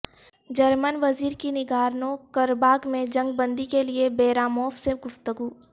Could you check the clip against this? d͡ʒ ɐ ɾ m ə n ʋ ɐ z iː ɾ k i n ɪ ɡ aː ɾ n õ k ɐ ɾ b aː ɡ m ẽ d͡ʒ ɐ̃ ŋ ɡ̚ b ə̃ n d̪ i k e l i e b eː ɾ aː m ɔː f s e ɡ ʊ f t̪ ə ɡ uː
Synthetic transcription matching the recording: d͡ʒ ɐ ɾ m ə n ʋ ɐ z iː ɾ k i n ɪ ɡ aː ɾ n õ k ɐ ɾ b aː ɡ m ẽ d͡ʒ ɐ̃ ŋ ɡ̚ b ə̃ n d̪ i k e l i e b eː ɾ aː m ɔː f s e ɡ ʊ f t̪ ə ɡ uː